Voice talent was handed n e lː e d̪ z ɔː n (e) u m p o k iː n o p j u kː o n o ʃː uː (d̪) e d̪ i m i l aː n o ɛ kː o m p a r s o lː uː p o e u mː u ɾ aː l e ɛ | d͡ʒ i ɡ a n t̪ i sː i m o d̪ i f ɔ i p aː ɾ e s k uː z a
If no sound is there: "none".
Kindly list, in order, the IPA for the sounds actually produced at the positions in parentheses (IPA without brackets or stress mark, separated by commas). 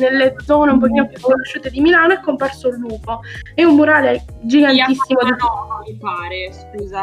e, t̪